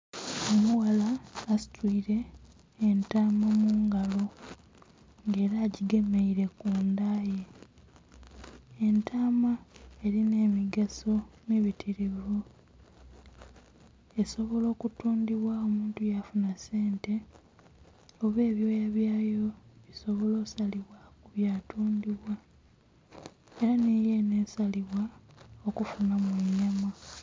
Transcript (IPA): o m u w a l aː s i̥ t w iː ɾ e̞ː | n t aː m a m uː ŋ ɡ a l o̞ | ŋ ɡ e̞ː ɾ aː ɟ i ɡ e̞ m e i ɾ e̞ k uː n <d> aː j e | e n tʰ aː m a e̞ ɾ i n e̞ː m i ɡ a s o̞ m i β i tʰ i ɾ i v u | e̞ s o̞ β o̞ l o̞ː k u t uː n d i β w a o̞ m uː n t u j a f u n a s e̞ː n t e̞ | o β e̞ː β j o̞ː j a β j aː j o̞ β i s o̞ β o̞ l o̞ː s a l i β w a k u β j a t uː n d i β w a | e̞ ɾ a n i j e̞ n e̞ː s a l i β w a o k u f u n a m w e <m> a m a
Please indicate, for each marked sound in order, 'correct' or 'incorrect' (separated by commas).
correct, incorrect